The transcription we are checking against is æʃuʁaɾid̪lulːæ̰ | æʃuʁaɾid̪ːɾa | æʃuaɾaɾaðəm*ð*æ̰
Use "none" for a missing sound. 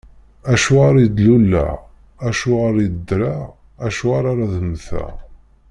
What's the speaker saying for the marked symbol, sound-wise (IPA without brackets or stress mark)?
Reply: θ